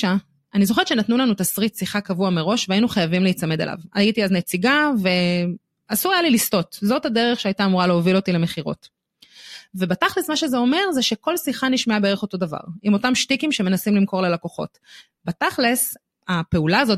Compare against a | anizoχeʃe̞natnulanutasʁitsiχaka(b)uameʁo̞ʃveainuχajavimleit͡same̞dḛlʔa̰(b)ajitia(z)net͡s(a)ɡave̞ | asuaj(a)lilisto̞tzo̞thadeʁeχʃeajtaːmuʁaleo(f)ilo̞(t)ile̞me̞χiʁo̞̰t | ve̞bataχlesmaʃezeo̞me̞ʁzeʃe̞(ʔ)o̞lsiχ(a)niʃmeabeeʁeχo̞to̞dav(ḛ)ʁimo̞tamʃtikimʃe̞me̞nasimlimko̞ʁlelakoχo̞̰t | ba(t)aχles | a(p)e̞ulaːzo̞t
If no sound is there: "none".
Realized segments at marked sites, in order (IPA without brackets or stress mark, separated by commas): v, v, z, i, a, v, t, k, a, a̰, t, p